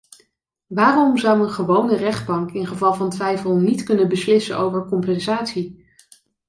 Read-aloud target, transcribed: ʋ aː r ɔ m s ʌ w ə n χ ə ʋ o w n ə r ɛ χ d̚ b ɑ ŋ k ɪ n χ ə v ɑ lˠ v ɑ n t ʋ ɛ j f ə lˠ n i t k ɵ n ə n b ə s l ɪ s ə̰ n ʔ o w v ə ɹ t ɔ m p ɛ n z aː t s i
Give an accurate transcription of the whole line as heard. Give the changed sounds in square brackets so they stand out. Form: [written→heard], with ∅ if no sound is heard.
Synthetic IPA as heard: ʋ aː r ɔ m [s→z] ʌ w ə n χ ə ʋ o w n ə r ɛ χ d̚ b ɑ ŋ k ɪ n χ ə v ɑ lˠ v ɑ n t ʋ ɛ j f ə lˠ n i t k ɵ n ə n b ə s l ɪ s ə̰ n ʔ o w v ə ɹ [t→k] ɔ m p ɛ n z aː t s i